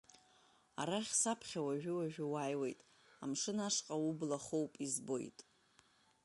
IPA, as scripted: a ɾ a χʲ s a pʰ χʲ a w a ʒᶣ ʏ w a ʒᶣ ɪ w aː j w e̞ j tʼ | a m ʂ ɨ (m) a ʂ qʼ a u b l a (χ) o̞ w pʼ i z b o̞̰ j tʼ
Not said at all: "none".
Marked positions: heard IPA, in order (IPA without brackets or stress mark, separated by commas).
n, χ